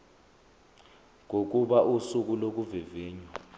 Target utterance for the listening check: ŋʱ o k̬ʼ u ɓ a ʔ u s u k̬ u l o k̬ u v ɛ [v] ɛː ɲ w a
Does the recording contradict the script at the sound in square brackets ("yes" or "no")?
no